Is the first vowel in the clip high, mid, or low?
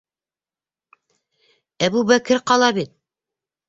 low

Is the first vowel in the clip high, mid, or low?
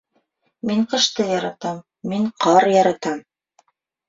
high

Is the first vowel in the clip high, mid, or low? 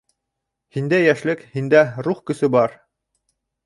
high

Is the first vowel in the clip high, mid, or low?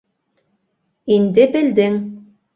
high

